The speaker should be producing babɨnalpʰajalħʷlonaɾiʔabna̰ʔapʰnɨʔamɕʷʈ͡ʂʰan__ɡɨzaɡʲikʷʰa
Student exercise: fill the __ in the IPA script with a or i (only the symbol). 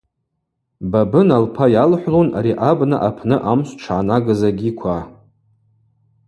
a